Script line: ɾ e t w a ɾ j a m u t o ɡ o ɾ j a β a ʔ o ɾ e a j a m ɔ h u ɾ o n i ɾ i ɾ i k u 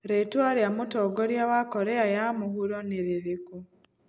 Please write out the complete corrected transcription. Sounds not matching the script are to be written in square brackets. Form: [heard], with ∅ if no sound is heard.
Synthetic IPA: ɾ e t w a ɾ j a m u t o ɡ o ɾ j a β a [k] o ɾ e a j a m [u] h u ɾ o n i ɾ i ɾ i k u